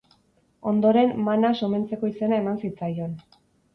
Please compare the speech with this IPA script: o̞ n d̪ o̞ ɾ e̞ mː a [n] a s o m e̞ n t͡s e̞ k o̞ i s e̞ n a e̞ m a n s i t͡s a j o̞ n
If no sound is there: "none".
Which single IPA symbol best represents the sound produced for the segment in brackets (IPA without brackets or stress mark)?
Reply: n